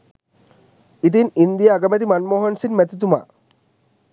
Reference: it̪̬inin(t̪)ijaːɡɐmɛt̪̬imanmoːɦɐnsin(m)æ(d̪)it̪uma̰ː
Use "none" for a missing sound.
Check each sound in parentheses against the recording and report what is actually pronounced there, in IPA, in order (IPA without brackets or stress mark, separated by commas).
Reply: d̪, m, t̪